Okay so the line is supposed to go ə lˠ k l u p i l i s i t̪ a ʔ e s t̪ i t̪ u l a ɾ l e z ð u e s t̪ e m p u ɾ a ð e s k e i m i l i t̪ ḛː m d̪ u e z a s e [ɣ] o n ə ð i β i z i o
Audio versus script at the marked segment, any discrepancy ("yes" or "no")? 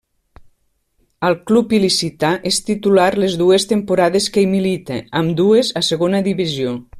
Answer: no